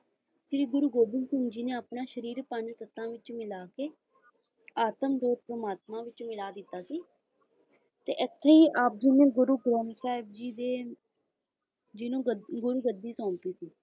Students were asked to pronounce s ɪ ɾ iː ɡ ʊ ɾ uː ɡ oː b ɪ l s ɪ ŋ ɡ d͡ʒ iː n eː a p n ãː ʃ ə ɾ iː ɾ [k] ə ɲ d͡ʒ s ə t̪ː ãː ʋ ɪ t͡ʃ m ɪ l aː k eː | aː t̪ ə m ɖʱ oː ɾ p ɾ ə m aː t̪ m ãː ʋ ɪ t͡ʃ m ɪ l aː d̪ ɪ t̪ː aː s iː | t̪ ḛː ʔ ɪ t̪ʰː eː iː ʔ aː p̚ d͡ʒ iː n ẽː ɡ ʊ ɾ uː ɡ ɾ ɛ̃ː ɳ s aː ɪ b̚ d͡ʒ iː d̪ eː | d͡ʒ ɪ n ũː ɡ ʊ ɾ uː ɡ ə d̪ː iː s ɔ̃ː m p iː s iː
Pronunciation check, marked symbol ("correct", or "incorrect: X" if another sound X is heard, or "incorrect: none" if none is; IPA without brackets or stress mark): incorrect: p